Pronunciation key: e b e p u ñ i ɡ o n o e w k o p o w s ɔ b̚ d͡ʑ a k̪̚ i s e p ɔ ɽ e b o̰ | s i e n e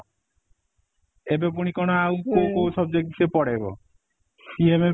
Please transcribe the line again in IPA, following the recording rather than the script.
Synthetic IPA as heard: e b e p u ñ i k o n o a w k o k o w s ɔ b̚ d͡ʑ e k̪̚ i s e p ɔ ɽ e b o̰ | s i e m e